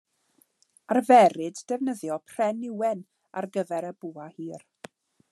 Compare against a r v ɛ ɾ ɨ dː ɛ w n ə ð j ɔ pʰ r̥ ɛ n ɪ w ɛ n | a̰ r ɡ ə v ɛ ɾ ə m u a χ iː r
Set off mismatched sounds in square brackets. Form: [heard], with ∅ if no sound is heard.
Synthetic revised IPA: a r v ɛ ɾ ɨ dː ɛ [v] n ə ð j ɔ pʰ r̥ ɛ n ɪ w ɛ n | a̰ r ɡ ə v ɛ ɾ ə [b] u a [h] iː r